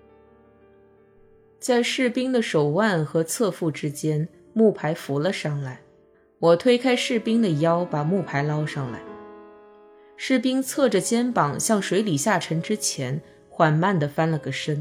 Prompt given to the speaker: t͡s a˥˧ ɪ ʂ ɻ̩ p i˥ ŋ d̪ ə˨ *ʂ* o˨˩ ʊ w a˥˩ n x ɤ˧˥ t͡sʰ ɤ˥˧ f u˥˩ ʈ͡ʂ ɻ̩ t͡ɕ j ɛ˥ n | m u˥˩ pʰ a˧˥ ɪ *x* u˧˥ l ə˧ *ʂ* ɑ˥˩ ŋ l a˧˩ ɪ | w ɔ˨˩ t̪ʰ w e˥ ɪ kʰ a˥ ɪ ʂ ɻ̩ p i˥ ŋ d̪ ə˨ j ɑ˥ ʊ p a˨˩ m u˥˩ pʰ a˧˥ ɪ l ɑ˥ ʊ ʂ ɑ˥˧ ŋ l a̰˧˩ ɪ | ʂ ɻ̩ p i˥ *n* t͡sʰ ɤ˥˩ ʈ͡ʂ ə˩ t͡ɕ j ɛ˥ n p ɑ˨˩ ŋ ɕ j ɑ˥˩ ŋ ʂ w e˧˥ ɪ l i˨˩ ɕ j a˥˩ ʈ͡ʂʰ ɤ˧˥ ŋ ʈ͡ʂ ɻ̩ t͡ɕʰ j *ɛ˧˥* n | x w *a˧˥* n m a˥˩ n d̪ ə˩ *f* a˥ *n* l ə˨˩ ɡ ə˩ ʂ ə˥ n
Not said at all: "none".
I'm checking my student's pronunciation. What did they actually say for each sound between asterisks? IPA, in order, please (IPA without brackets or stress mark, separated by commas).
ʂ, f, ʂ, ŋ, ɛ˧˥, a˨˩, f, n